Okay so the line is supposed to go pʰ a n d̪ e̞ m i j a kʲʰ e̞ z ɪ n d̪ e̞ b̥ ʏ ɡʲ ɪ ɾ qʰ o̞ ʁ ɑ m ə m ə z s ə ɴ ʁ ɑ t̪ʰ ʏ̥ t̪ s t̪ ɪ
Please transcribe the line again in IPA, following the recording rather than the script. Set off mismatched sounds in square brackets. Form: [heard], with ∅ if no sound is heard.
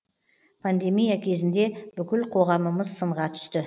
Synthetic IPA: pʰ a n d̪ e̞ m i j a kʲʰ e̞ z ɪ n d̪ e̞ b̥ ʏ [kʲ] ɪ [l] qʰ o̞ ʁ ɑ m ə m ə z s ə ɴ ʁ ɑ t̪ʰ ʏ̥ [∅] s t̪ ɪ